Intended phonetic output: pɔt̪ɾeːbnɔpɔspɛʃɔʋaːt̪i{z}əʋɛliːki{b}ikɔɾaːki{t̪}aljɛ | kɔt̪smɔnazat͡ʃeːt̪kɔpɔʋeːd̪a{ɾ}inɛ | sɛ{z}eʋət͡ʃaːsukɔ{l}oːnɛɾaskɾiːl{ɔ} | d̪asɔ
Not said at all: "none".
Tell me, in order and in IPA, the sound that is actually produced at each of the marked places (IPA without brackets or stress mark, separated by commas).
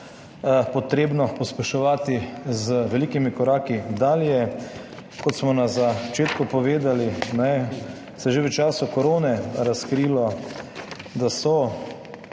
z, m, d̪, l, ʒ, ɾ, ɔ